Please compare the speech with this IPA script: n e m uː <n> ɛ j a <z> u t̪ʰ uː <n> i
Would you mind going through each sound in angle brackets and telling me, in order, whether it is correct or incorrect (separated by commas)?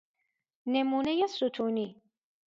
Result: correct, incorrect, correct